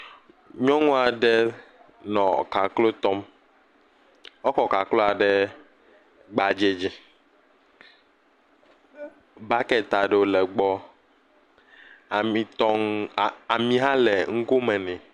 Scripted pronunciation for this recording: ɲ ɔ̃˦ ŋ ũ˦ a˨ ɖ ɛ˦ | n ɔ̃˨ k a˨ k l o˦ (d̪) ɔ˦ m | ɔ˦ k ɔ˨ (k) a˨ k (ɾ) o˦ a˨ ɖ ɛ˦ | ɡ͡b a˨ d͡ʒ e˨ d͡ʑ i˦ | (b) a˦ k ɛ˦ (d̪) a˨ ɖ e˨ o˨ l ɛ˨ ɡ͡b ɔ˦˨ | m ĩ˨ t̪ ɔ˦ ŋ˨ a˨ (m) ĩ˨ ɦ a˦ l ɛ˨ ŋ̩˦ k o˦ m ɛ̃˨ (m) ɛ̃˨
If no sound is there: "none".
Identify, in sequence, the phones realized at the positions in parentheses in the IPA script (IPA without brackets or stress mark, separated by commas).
t̪, k, l, b, t̪, m, n